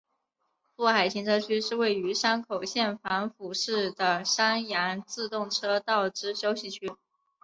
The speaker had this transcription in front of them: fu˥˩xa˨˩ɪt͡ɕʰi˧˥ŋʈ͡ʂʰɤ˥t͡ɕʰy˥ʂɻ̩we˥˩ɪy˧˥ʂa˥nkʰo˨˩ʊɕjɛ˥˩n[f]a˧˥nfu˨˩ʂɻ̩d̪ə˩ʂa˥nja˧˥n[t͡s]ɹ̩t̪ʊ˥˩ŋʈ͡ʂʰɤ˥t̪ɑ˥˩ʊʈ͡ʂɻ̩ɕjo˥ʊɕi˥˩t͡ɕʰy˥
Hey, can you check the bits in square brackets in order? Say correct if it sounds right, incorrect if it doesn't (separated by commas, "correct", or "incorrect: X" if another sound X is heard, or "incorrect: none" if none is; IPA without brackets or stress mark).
correct, correct